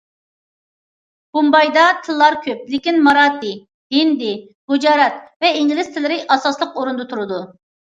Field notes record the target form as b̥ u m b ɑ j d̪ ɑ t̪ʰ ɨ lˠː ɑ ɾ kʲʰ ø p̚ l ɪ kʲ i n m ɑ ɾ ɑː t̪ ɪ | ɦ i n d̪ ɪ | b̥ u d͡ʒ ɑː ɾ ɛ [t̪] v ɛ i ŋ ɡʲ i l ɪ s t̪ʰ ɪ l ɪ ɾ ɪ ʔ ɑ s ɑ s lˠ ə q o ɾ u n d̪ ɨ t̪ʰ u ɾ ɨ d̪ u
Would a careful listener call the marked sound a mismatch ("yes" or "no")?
no